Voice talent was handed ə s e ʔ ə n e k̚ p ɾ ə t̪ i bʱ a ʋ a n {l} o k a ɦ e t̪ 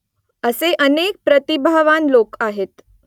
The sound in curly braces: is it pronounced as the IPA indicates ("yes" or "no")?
yes